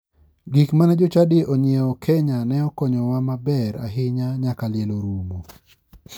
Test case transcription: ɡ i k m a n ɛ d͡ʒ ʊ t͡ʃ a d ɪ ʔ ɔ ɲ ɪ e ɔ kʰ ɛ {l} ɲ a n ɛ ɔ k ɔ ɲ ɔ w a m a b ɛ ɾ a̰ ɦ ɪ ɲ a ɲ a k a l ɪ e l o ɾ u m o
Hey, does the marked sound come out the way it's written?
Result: no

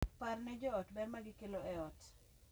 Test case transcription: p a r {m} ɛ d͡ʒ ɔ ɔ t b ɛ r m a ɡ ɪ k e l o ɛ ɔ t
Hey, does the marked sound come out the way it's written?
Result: no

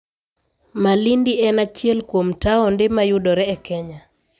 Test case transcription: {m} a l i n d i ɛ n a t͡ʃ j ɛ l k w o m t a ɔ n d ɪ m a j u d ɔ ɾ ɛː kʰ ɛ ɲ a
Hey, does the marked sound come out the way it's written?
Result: yes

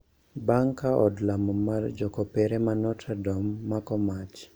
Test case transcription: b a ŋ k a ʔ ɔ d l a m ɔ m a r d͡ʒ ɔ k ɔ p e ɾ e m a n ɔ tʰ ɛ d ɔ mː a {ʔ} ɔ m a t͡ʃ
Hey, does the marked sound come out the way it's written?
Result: no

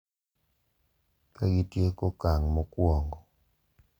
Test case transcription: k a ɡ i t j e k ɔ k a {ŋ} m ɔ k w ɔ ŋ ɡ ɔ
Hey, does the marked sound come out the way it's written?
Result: yes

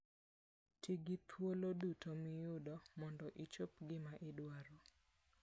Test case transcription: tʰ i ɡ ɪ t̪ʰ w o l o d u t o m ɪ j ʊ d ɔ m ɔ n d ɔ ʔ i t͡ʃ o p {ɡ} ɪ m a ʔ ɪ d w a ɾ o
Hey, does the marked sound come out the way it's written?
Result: yes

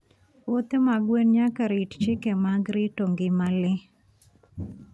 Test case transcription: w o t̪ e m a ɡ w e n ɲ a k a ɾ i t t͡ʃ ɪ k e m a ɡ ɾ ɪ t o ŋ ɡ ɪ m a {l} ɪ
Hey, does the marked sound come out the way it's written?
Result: yes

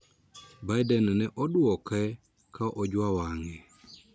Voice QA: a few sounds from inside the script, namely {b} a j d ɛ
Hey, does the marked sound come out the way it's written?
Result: yes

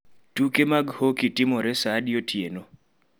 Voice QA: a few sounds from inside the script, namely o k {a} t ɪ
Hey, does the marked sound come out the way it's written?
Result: no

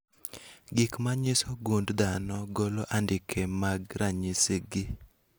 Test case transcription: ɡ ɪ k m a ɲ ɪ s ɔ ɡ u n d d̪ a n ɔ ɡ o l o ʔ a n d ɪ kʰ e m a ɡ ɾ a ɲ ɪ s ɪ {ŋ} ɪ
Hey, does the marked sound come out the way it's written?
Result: no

